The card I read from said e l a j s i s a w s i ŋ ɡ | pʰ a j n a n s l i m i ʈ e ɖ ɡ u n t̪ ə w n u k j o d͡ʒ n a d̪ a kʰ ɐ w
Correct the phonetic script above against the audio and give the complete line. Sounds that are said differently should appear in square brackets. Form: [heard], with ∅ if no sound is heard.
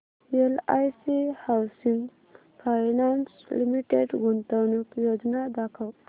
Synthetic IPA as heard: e l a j s i [h] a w s i ŋ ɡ | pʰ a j n a n s l i m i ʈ e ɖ ɡ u n t̪ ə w n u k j o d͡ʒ n a d̪ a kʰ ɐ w